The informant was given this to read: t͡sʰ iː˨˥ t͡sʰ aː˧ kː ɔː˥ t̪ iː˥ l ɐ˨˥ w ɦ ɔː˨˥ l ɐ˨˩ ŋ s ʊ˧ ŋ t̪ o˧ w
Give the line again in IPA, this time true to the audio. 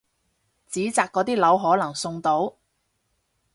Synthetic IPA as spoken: t͡s iː˨˥ t͡s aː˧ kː ɔː˨˥ t̪ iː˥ l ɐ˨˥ w ɦ ɔː˨˥ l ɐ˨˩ ŋ s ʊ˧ ŋ t̪ o˨˥ w